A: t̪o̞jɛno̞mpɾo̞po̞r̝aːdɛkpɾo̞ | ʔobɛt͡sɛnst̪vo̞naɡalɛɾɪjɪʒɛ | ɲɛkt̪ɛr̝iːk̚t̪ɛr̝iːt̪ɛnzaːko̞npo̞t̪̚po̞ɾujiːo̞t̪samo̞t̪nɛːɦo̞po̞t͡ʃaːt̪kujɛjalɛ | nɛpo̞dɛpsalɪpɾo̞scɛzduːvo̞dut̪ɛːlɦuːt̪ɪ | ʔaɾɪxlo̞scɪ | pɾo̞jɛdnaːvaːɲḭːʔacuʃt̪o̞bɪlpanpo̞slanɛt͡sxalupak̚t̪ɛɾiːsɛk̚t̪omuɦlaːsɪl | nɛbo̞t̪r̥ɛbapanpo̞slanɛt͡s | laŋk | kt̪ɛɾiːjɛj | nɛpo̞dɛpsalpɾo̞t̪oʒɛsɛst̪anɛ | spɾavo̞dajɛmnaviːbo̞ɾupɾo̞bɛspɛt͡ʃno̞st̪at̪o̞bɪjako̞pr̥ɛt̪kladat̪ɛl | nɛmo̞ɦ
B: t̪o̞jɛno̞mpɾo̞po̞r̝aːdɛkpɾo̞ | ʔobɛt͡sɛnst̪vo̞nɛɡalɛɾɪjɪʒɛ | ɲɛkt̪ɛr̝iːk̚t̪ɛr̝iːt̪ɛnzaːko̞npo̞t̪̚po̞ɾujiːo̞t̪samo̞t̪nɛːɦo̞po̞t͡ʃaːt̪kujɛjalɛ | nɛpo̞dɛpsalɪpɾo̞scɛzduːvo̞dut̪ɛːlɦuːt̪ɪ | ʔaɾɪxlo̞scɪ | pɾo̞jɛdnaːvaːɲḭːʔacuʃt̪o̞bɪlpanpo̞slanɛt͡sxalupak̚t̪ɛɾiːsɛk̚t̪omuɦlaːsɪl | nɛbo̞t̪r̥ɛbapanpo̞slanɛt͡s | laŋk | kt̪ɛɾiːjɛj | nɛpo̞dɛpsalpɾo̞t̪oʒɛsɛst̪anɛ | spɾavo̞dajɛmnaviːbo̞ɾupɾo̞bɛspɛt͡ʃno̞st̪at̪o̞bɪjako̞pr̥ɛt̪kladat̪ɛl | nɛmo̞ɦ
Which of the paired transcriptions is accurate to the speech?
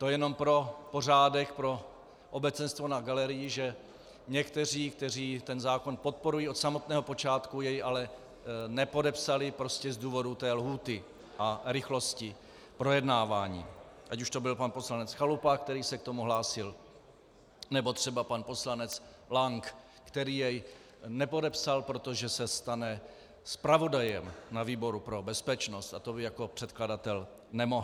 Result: A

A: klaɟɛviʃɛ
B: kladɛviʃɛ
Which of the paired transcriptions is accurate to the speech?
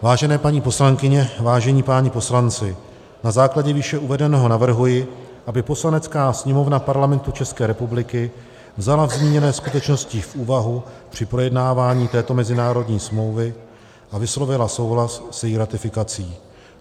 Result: A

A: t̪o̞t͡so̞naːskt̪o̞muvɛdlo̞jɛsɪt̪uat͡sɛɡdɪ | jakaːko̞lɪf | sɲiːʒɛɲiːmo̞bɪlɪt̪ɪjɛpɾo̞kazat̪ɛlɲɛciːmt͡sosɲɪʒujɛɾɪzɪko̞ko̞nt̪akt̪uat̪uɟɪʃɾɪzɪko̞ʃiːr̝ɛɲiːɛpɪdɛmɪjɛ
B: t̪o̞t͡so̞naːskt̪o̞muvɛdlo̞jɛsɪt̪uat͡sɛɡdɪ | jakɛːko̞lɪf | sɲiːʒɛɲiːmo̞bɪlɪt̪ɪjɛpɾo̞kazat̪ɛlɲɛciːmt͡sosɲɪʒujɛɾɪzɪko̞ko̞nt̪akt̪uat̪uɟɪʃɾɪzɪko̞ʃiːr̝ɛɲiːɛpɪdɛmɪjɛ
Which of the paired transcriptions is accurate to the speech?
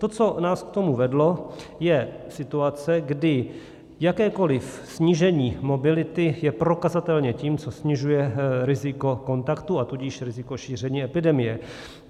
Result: B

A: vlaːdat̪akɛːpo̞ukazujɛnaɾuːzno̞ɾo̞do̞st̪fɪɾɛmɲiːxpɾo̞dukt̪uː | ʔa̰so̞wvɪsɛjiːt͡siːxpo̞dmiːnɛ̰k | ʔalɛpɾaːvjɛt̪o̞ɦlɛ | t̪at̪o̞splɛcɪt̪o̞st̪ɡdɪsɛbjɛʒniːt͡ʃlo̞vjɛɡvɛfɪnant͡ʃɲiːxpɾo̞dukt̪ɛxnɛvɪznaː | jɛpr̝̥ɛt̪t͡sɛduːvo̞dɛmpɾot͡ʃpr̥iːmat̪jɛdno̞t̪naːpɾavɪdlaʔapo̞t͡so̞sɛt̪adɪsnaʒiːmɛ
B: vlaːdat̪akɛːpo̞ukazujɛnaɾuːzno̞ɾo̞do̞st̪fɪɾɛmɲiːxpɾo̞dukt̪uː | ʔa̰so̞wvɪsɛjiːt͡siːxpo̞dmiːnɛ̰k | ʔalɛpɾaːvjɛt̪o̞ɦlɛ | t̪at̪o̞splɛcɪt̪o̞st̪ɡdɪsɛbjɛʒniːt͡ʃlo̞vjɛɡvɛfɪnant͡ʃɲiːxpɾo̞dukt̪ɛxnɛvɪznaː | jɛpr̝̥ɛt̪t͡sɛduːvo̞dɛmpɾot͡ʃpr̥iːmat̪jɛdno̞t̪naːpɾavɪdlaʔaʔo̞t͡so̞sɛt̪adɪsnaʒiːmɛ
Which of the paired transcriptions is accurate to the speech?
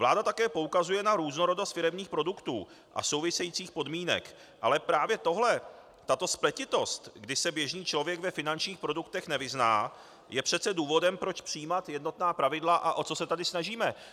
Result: B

